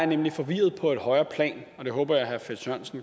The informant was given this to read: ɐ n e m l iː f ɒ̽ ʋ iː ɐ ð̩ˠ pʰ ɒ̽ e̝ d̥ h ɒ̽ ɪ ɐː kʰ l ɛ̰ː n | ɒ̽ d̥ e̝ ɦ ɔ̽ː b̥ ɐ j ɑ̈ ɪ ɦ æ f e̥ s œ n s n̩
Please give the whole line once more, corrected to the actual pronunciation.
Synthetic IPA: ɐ n e m l i f ɒ̽ ʋ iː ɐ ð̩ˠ pʰ ɒ̽ e̝ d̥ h ɒ̽ ɪ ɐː pʰ l ɛ̰ː n | ɒ̽ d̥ e̝ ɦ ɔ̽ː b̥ ɐ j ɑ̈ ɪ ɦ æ f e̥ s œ n s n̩